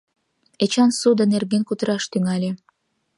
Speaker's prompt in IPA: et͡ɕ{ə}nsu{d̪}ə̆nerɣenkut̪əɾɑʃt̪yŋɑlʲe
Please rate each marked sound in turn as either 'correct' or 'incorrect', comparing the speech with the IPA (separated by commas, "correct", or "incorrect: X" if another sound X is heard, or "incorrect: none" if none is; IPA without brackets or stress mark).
incorrect: ɑ, correct